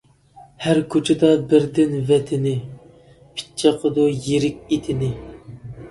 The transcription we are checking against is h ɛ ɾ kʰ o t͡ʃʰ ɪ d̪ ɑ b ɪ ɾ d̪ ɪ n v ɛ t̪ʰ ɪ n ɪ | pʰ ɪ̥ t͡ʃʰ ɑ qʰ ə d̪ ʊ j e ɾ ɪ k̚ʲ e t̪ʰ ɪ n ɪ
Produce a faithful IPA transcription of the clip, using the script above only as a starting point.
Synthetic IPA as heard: h æ ɾ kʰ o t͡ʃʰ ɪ d̪ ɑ b ɪ ɾ d̪ ɪ n v ɛ t̪ʰ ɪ n ɪ | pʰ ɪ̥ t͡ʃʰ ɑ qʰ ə d̪ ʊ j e ɾ ɪ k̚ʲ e t̪ʰ ɪ n ɪ